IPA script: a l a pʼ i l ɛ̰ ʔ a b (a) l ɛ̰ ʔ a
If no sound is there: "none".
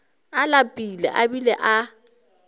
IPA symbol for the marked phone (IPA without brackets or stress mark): i